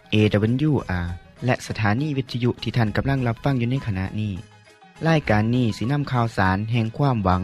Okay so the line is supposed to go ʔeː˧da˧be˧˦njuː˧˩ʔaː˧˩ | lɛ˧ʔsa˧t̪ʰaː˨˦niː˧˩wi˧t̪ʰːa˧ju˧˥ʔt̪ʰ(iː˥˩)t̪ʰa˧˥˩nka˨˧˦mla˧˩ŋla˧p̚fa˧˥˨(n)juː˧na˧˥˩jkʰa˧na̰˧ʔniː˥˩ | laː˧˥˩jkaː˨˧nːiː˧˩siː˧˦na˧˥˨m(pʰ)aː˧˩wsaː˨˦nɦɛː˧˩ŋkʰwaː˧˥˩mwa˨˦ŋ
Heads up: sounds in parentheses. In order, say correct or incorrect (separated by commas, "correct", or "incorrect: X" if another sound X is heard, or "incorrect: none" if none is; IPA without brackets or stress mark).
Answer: incorrect: iː˧˩, incorrect: ŋ, incorrect: kʰ